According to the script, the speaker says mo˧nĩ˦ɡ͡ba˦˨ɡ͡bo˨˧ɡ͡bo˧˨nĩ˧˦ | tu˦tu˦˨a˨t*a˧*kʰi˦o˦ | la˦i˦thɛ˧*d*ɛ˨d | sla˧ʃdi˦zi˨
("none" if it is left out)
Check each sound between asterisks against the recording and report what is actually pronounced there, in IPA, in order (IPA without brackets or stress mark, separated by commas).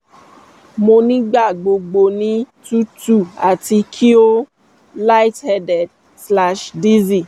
i˧, d